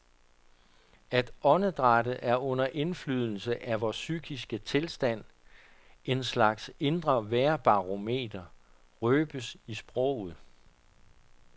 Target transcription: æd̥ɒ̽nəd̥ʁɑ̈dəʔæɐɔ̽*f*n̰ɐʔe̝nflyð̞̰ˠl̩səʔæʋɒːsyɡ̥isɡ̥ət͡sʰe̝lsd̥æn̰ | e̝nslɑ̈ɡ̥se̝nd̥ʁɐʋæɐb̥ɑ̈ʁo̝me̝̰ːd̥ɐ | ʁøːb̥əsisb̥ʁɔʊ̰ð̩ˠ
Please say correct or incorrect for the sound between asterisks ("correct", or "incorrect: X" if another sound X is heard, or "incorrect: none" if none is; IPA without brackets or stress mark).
incorrect: none